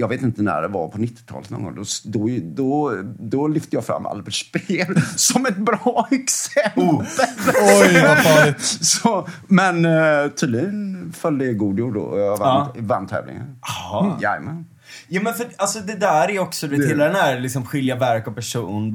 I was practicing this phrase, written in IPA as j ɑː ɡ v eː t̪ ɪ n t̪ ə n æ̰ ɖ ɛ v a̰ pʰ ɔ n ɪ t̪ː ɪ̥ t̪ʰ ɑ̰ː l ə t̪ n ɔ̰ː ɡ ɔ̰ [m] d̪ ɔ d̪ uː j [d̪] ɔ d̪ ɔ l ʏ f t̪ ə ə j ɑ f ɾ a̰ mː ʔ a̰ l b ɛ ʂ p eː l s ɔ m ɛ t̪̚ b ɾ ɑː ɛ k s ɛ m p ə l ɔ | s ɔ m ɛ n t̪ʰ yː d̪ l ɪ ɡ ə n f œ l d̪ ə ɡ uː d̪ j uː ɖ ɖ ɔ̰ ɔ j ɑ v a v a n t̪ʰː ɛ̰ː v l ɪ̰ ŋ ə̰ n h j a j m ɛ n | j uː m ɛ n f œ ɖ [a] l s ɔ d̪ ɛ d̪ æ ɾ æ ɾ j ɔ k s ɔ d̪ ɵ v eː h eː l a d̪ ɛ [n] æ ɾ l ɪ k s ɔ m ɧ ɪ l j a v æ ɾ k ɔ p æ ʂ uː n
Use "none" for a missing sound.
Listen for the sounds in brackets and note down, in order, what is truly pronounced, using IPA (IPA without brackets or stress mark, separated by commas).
ŋ, d̪, a, n